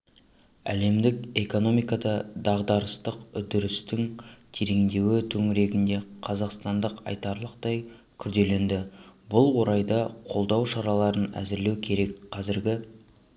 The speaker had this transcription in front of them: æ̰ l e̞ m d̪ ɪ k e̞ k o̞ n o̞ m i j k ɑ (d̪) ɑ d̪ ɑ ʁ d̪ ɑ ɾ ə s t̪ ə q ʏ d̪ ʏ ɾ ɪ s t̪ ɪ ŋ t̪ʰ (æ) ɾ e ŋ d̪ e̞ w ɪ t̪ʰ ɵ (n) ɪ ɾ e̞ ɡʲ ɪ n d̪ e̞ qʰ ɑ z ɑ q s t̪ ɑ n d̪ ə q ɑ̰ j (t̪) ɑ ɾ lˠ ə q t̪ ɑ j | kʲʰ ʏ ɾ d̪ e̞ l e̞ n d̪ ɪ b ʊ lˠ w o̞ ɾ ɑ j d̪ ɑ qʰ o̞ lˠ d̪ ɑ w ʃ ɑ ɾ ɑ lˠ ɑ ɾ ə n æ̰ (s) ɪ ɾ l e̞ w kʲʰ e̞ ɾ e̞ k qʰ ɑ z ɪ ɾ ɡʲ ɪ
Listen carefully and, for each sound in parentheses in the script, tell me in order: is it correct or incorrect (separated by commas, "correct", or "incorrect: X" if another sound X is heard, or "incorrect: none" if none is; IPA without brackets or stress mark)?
correct, incorrect: e, incorrect: ŋ, correct, incorrect: z